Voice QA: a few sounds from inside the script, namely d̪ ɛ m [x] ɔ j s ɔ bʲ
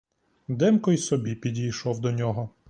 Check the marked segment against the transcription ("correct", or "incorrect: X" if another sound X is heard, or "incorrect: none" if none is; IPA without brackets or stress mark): incorrect: k